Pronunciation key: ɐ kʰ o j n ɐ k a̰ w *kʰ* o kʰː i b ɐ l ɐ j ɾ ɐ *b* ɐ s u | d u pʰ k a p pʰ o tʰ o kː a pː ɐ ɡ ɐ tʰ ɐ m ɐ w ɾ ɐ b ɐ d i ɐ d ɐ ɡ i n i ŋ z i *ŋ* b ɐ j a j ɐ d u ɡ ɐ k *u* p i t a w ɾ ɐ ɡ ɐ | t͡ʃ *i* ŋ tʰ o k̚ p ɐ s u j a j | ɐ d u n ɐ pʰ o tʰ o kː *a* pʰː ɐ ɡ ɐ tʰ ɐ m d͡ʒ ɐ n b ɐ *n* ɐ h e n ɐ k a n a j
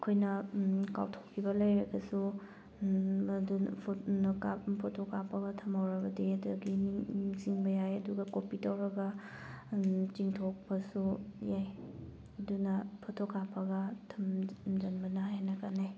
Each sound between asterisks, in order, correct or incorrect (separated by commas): incorrect, incorrect, correct, incorrect, correct, correct, correct